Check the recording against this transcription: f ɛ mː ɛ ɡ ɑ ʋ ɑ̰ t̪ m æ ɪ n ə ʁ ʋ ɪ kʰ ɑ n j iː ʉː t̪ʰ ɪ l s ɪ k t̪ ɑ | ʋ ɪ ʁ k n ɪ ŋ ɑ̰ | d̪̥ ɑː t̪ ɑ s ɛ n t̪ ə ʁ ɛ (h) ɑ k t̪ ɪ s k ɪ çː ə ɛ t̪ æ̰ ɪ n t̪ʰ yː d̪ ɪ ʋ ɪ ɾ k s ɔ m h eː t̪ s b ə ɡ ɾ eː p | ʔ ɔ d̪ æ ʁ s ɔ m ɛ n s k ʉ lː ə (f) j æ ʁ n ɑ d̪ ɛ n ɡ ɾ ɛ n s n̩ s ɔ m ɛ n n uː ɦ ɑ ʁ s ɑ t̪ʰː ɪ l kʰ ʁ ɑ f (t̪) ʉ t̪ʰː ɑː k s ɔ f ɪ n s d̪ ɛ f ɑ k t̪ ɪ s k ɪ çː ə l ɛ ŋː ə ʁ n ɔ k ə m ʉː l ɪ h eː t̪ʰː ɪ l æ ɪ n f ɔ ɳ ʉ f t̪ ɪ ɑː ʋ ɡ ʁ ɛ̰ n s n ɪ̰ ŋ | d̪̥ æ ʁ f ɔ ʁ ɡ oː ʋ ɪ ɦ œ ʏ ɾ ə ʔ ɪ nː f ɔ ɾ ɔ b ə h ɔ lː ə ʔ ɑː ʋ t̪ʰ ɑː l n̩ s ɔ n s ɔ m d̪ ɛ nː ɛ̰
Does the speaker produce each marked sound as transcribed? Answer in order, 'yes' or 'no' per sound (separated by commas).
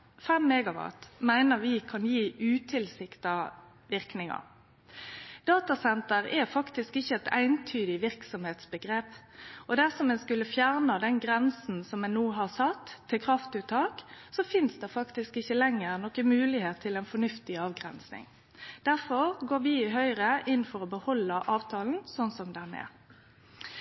no, yes, yes